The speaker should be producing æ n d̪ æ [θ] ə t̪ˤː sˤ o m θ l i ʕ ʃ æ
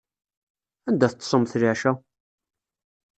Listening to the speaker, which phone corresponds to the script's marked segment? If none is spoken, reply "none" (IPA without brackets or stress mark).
θ